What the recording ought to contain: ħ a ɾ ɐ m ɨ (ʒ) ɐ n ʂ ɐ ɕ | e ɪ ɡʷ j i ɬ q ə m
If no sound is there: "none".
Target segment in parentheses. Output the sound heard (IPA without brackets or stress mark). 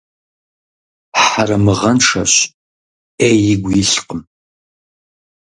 ʁ